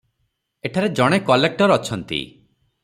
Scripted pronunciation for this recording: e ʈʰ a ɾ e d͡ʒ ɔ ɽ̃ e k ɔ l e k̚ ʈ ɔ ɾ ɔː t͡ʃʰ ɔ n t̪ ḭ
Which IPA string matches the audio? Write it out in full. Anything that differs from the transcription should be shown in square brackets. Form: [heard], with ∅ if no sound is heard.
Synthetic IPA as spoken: e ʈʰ a ɾ e d͡ʒ ɔ ɽ̃ e k ɔ l e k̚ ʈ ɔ ɾ [ɔ] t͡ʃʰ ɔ n t̪ ḭ